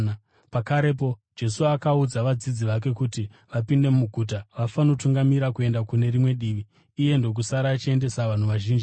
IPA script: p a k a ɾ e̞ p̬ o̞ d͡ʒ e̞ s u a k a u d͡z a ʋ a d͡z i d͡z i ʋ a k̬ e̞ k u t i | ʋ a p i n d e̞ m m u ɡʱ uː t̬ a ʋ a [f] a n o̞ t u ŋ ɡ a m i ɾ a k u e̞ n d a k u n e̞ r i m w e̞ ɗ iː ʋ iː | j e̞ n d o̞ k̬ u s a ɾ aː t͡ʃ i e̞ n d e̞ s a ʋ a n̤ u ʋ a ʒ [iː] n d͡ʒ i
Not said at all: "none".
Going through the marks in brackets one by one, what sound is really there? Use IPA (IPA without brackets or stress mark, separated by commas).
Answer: f, iː